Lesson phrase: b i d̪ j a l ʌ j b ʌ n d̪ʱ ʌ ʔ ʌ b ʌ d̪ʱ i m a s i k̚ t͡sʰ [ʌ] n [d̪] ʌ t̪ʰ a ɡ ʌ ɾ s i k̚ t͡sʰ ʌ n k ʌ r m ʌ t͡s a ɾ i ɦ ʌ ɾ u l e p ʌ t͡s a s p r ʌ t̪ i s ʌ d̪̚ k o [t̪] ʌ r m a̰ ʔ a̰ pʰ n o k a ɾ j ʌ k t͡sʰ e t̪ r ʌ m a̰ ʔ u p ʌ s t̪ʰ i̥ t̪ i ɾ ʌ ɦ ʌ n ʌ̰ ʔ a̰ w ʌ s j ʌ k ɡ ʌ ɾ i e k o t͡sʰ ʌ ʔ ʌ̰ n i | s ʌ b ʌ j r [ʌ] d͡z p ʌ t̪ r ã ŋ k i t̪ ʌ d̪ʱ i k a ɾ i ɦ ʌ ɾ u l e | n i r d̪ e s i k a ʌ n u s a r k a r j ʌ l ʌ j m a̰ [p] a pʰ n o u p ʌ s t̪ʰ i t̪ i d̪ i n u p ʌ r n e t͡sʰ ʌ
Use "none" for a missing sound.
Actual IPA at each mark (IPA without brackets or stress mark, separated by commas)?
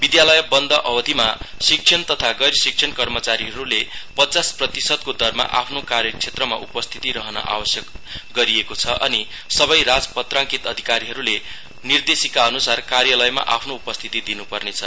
ʌ, t̪, d̪, a, ʔ